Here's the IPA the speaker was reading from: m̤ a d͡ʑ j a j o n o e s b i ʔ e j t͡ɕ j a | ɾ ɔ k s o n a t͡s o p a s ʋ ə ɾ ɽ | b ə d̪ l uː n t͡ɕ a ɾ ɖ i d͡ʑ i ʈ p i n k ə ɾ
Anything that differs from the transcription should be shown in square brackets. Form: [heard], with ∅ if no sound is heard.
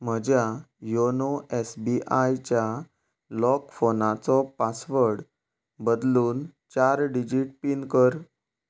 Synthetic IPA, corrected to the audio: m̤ [ə] d͡ʑ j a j o n o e s b i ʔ [a] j t͡ɕ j a | [l] ɔ k [f] o n a t͡s [ɔ] p a s ʋ ə ɾ ɽ | b ə d̪ l uː n t͡ɕ a ɾ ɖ i d͡ʑ i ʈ p i n k ə ɾ